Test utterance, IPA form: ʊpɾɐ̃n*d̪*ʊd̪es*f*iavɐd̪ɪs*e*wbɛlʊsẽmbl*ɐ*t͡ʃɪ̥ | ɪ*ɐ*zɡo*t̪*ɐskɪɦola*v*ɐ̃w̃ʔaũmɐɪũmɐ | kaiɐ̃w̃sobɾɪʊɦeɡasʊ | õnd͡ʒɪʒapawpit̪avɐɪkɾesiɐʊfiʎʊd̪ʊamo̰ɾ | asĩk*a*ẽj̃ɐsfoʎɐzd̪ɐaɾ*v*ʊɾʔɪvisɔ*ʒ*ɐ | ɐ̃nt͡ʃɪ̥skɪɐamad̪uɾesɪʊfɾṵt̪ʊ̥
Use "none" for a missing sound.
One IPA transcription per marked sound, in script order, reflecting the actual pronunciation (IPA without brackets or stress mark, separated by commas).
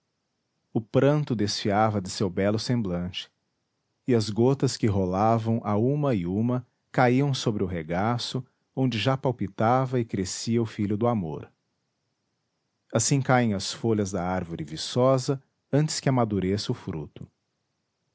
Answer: t̪, f, e, ɐ̃, ɐ, t̪, v, a, v, z